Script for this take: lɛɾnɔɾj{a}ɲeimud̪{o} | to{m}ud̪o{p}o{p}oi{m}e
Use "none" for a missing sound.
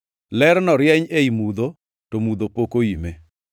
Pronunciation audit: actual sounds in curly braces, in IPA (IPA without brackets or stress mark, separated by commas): ɛ, o, m, p, k, m